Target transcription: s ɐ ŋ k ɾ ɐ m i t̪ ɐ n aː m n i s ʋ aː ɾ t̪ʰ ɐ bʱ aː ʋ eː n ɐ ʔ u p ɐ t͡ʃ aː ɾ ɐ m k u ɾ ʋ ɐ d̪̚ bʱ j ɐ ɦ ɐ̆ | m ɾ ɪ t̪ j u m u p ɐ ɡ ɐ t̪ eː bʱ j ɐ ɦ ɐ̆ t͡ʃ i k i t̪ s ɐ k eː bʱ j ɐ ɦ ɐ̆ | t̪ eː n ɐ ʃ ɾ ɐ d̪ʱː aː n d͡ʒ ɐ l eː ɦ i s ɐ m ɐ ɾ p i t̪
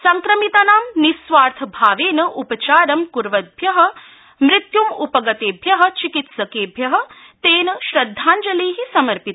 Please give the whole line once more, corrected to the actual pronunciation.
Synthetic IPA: s ɐ ŋ k ɾ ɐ m i t̪ ɐ n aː m n i s ʋ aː ɾ t̪ʰ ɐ bʱ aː ʋ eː n ɐ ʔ u p ɐ t͡ʃ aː ɾ ɐ m k u ɾ ʋ ɐ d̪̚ bʱ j ɐ ɦ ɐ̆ | m ɾ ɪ t̪ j u m u p ɐ ɡ ɐ t̪ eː bʱ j ɐ ɦ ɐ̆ t͡ʃ i k i t̪ s ɐ k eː bʱ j ɐ ɦ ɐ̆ | t̪ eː n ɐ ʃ ɾ ɐ d̪ʱː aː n d͡ʒ ɐ l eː ɦ i s ɐ m ɐ ɾ p i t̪

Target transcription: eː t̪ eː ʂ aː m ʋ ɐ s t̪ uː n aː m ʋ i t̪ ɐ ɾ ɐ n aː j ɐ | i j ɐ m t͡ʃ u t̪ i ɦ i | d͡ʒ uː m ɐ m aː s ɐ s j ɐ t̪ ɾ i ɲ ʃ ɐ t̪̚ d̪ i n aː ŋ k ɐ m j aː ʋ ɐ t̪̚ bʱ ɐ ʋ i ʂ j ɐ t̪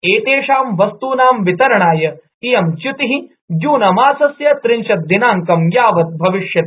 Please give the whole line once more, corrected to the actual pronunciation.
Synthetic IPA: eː t̪ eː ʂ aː m ʋ ɐ s t̪ uː n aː m ʋ i t̪ ɐ ɾ ɐ ɳ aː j ɐ | i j ɐ m t͡ʃ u t̪ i ɦ i | d͡ʒ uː n ɐ m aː s ɐ s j ɐ t̪ ɾ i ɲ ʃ ɐ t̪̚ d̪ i n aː ŋ k ɐ m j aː ʋ ɐ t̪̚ bʱ ɐ ʋ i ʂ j ɐ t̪

